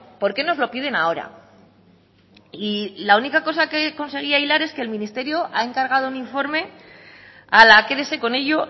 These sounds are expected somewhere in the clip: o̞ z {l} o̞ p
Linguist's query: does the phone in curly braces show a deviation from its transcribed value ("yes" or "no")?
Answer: no